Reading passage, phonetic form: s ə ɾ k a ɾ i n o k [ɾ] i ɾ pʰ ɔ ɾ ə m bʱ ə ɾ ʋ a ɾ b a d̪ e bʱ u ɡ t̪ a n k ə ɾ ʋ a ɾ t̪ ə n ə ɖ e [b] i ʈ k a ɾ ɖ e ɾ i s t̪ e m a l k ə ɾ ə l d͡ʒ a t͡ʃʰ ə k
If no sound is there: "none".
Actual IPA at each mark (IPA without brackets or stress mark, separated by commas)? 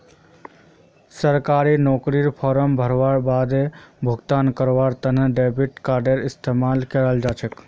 ɾ, b